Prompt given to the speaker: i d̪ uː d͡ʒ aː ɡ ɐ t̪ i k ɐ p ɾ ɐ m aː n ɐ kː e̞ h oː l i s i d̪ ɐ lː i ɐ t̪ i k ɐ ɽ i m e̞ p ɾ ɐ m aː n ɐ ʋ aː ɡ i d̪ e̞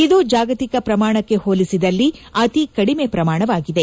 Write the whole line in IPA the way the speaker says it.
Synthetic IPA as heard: i d̪ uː d͡ʒ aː ɡ ɐ t̪ i k ɐ p ɾ ɐ m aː ɳ ɐ kː e̞ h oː l i s i d̪ ɐ lː i ɐ t̪ i k ɐ ɽ i m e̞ p ɾ ɐ m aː ɳ ɐ ʋ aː ɡ i d̪ e̞